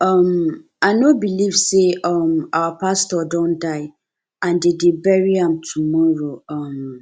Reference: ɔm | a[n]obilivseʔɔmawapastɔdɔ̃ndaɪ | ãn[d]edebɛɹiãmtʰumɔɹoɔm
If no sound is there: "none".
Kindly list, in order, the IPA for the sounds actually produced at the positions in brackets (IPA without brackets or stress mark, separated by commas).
n, d